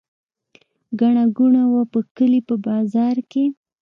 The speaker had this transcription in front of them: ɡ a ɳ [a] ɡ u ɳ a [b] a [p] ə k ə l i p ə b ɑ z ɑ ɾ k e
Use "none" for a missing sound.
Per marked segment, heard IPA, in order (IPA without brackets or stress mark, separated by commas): a, w, p